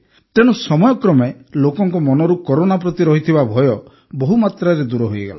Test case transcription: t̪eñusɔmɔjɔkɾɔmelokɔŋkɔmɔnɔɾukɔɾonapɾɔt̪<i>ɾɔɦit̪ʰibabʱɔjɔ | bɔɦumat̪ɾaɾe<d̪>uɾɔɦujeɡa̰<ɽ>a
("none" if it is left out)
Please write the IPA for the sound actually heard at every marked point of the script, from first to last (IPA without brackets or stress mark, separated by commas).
i, d̪, l